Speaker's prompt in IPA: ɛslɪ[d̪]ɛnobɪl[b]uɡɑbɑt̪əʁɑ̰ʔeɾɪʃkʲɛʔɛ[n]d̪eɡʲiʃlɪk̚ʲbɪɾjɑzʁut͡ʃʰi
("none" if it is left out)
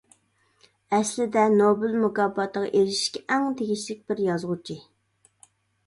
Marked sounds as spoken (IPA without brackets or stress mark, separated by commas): d̪, m, ŋ